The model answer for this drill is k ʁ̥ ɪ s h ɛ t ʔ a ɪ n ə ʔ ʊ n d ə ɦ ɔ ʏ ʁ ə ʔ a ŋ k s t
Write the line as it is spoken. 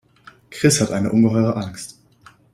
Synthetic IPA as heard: k ʁ̥ ɪ s h a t ʔ a ɪ n ə ʔ ʊ n ɡ ə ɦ ɔ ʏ ʁ ə ʔ a ŋ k s t

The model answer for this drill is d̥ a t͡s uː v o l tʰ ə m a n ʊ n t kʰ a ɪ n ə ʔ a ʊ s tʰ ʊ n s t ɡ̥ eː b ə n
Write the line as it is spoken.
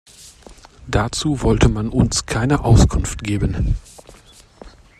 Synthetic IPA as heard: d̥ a t͡s uː v ɔ l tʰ ə m a n ʊ n s kʰ a ɪ n ə ʔ a ʊ s kʰ ʊ n f t ɡ̥ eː b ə n

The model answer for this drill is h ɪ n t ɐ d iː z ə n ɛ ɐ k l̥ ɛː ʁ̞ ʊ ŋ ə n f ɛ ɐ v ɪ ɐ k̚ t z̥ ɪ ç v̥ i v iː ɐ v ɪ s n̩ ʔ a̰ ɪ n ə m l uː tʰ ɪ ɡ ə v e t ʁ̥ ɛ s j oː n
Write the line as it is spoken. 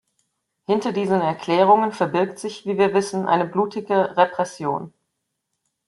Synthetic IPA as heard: h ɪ n t ɐ d iː z ə n ɛ ɐ k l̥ ɛː ʁ̞ ʊ ŋ ə n f ɛ ɐ b ɪ ɐ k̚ t z̥ ɪ ç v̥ iː v iː ɐ v ɪ s n̩ ʔ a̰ ɪ n ə b l uː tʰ ɪ ɡ ə ʁ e p ʁ̥ ɛ s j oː n

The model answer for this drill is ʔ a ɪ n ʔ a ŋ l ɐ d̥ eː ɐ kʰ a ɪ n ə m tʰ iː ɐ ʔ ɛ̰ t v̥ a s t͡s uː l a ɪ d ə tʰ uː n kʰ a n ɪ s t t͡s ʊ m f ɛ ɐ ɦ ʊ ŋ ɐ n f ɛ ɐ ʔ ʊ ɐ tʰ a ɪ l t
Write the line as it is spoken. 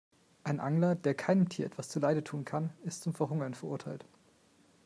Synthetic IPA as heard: ʔ a ɪ n ʔ a ŋ l ɐ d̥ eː ɐ kʰ a ɪ n ə m tʰ iː ɐ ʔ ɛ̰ t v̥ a s t͡s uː l a ɪ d ə tʰ uː n kʰ a n ɪ s t t͡s ʊ m f ɛ ɐ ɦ ʊ ŋ ɐ n f ɛ ɐ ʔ ʊ ɐ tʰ a ɪ l t

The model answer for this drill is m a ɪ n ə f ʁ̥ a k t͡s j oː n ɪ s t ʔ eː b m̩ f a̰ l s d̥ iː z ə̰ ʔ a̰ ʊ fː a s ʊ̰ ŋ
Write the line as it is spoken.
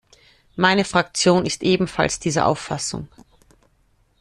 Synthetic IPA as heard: m a ɪ n ə f ʁ̥ a k t͡s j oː n ɪ s t ʔ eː b m̩ f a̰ l s d̥ iː z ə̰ ʔ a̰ ʊ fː a s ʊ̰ ŋ

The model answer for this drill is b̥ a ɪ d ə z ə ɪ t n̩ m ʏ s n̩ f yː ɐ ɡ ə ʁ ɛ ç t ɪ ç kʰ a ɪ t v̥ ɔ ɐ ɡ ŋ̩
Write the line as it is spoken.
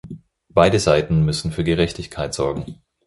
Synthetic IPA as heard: b̥ a ɪ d ə z a ɪ t n̩ m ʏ s n̩ f yː ɐ ɡ ə ʁ ɛ ç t ɪ ç kʰ a ɪ t z̥ ɔ ɐ ɡ ŋ̩

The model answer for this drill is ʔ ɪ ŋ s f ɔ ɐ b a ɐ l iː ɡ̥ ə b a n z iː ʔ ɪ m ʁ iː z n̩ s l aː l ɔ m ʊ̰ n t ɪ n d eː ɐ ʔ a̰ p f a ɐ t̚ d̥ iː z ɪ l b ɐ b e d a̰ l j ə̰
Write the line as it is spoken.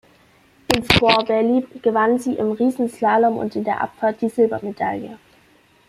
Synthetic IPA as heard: ʔ ɪ n s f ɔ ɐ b ɛ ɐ l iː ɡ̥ ə v a n z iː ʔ ɪ m ʁ iː z n̩ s l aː l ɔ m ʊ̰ n t ɪ n d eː ɐ ʔ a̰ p f a ɐ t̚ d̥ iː z ɪ l b ɐ m e d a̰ l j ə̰

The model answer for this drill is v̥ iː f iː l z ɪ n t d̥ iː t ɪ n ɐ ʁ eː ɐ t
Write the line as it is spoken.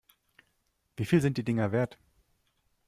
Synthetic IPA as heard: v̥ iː f iː l z ɪ n t d̥ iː d ɪ ŋ ɐ v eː ɐ t

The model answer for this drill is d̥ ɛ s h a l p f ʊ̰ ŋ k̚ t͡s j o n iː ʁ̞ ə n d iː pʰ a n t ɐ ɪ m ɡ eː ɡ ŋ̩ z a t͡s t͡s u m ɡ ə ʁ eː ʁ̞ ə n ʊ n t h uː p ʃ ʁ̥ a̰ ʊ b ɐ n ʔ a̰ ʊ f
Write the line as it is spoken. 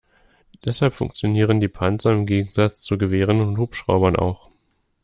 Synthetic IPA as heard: d̥ ɛ s h a l p f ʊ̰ ŋ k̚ t͡s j o n iː ʁ̞ ə n d iː pʰ a n t͡s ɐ ɪ m ɡ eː ɡ ŋ̩ z a t͡s t͡s u ɡ ə v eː ʁ̞ ə n ʊ n t h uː p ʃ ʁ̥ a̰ ʊ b ɐ n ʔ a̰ ʊ x

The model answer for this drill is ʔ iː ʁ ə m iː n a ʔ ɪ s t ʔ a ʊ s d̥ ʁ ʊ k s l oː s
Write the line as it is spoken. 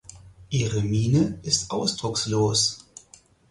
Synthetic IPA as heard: ʔ iː ʁ ə m iː n ə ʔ ɪ s t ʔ a ʊ s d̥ ʁ ʊ k s l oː s

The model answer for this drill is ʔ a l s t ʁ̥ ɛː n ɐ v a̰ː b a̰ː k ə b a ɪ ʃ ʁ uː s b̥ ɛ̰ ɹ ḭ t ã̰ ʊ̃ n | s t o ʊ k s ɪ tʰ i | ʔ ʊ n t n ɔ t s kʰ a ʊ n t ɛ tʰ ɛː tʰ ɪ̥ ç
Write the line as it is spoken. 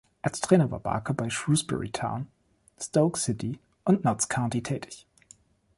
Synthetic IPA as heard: ʔ a l s t ʁ̥ ɛː n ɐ v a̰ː b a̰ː k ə b a ɪ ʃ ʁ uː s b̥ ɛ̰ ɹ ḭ tʰ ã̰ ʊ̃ n | s t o ʊ k s ɪ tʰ i | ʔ ʊ n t n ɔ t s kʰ a ʊ n t i tʰ ɛː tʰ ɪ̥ ç

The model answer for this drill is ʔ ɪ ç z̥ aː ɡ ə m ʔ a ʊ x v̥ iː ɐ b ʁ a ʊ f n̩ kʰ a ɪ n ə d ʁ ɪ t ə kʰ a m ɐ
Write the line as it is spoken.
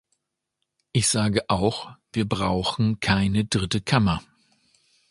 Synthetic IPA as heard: ʔ ɪ ç z̥ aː ɡ ə ʔ a ʊ x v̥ iː ɐ b ʁ a ʊ x n̩ kʰ a ɪ n ə d ʁ ɪ t ə kʰ a m ɐ

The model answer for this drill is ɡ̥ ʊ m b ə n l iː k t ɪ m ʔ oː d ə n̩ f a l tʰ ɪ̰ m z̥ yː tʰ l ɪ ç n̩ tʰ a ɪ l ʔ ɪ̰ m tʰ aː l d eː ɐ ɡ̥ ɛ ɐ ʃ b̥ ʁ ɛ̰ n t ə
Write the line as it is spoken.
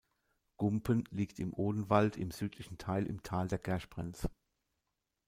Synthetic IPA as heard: ɡ̥ ʊ m p ə n l iː k t ɪ m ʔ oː d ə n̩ v a l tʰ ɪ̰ m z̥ yː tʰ l ɪ ç n̩ tʰ a ɪ l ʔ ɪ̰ m tʰ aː l d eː ɐ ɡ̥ ɛ ɐ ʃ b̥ ʁ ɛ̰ n t͡s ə

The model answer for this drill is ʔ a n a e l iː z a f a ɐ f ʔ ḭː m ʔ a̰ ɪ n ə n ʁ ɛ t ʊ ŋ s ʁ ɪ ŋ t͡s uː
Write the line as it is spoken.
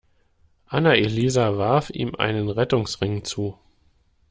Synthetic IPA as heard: ʔ a n a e l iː z a v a ɐ f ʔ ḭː m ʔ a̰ ɪ n ə n ʁ ɛ t ʊ ŋ s ʁ ɪ ŋ t͡s uː

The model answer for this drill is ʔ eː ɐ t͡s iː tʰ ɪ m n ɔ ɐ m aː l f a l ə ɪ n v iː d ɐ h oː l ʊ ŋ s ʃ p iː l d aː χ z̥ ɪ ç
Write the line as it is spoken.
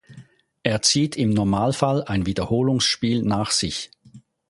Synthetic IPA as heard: ʔ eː ɐ t͡s iː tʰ ɪ m n ɔ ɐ m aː l f a l a ɪ n v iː d ɐ h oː l ʊ ŋ s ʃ p iː l n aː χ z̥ ɪ ç

